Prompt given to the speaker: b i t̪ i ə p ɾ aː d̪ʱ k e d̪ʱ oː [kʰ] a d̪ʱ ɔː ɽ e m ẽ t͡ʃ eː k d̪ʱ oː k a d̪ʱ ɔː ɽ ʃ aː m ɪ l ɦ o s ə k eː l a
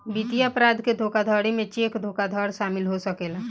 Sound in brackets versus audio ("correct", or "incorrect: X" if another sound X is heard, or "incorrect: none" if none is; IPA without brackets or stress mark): incorrect: k